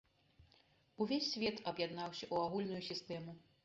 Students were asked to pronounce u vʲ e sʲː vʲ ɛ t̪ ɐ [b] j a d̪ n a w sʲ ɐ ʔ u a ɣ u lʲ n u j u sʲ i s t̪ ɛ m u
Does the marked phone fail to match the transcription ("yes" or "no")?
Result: no